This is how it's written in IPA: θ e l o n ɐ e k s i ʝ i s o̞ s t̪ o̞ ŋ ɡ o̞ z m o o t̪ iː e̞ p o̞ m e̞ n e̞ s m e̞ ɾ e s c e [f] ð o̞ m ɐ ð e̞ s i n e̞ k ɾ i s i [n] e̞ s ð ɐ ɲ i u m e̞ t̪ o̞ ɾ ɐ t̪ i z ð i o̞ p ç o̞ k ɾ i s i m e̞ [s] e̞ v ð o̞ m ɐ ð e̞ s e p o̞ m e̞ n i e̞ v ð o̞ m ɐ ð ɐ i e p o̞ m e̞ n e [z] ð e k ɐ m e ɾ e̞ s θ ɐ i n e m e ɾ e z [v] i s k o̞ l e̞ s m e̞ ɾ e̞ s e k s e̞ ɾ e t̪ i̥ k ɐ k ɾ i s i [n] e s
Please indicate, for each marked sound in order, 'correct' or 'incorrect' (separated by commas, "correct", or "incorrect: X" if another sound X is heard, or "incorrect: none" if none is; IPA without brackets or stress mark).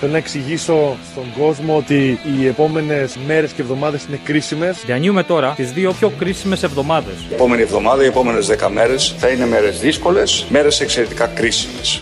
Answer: incorrect: v, incorrect: m, correct, correct, incorrect: ð, incorrect: m